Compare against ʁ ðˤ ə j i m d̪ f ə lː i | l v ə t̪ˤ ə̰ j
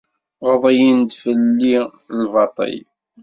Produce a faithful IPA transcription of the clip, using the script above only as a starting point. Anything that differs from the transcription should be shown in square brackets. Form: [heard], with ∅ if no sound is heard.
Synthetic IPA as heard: ʁ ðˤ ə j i [n] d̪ f ə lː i | l v [ɑ] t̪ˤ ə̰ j